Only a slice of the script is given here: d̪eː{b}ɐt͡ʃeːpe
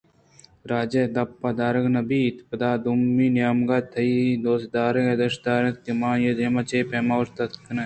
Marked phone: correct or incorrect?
incorrect